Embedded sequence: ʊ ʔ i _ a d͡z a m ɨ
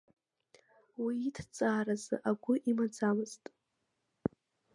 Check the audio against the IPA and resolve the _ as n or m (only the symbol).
m